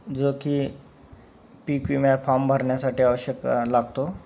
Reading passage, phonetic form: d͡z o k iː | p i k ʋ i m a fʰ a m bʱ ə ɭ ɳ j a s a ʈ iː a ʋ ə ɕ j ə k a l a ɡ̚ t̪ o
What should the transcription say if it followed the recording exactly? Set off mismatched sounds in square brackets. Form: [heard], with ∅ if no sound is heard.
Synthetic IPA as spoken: d͡z o k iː | p i k ʋ i m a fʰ a m bʱ ə [ɾ] ɳ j a s a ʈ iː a ʋ ə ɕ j ə k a l a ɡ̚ t̪ o